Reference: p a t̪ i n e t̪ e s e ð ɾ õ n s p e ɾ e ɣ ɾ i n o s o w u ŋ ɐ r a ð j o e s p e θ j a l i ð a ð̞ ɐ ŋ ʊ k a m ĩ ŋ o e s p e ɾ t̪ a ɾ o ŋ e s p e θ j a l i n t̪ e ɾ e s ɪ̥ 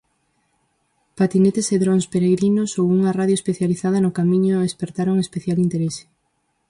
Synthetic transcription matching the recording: p a t̪ i n e t̪ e s e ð ɾ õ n s p e ɾ e ɣ ɾ i n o s o w u ŋ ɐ r a ð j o e s p e θ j a l i θ a ð̞ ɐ n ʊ k a m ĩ ɲ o e s p e ɾ t̪ a ɾ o ŋ e s p e θ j a l i n t̪ e ɾ e s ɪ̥